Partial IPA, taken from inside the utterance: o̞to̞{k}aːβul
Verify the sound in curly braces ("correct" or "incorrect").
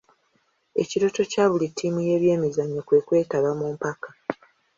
incorrect